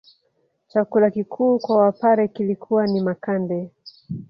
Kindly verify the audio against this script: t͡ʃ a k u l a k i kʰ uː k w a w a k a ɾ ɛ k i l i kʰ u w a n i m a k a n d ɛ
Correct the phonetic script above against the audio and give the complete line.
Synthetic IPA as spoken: t͡ʃ a k u l a k i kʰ uː k w a w a p a ɾ ɛ k i l i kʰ u w a n i m a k a n d ɛ